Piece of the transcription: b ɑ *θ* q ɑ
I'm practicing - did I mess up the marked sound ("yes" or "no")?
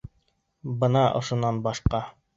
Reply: yes